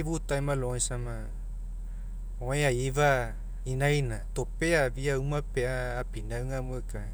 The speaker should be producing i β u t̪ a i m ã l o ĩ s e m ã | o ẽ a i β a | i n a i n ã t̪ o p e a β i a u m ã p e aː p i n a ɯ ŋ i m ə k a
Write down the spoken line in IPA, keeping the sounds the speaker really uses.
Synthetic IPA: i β u t̪ a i m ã l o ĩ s a m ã | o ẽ a i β a | i n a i n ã t̪ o p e a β i a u m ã p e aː p i n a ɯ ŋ a m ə k a